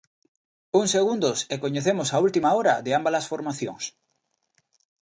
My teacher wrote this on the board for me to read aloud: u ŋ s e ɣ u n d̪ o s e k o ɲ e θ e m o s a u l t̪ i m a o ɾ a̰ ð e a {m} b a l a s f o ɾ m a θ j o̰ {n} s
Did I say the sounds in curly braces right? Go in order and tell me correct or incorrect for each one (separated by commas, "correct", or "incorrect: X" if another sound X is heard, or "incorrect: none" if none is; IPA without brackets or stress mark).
correct, incorrect: ŋ